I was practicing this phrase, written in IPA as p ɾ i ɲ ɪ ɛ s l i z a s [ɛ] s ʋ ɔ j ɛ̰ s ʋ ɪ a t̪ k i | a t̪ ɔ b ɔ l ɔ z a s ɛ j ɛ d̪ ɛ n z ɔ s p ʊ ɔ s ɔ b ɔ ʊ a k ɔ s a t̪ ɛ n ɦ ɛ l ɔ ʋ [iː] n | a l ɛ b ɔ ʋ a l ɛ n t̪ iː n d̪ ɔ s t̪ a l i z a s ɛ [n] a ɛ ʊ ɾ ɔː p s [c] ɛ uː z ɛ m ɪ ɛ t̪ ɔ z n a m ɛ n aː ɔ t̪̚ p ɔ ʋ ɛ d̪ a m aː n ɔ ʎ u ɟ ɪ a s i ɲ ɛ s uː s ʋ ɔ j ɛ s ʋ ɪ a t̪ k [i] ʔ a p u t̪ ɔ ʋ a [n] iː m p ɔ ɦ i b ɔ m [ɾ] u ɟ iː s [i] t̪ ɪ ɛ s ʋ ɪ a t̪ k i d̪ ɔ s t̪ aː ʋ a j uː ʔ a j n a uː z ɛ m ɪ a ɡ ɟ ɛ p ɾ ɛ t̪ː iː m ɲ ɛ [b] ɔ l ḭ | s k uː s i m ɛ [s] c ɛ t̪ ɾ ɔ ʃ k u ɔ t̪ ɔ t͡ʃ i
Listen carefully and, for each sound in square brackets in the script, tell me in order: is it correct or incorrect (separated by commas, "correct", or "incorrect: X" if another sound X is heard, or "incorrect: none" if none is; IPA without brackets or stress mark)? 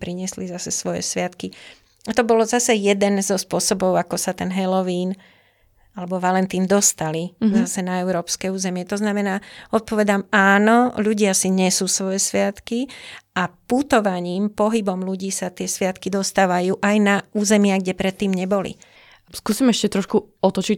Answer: correct, correct, correct, incorrect: k, correct, incorrect: ɲ, incorrect: l, incorrect: a, correct, incorrect: ʃ